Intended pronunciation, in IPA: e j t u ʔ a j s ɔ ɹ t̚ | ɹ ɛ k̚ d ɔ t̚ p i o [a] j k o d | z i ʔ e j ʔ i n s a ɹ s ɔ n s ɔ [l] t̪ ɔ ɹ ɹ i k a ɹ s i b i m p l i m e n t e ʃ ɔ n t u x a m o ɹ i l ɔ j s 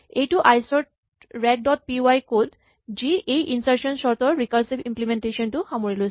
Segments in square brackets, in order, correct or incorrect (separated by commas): correct, incorrect